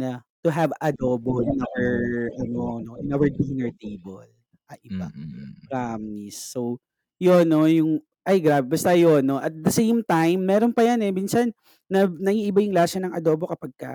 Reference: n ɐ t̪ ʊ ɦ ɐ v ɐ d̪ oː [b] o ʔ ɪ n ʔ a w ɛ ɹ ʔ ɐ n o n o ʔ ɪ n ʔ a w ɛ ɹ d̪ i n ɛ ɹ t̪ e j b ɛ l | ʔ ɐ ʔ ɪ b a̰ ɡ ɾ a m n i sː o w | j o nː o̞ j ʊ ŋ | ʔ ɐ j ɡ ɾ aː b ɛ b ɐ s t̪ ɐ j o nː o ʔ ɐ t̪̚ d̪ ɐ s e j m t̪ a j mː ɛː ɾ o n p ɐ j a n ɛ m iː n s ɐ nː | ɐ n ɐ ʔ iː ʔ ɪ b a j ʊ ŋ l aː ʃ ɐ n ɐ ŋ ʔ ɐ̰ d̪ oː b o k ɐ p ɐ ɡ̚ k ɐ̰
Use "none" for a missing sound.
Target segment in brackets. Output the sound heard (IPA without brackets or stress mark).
b